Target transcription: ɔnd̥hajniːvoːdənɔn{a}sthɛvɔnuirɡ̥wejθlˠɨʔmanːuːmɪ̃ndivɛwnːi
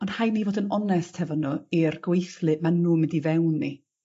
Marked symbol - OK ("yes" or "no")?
no